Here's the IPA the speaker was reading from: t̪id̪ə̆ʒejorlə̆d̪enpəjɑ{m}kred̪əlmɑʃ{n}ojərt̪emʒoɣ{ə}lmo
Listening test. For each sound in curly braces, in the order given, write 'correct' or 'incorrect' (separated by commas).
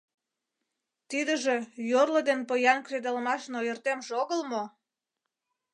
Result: incorrect, correct, correct